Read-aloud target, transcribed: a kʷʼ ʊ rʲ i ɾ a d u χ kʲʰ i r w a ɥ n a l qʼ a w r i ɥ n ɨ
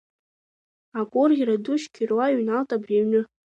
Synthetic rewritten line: a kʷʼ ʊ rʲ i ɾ a d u ʃ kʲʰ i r w a ɥ n a l tʼ a b r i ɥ n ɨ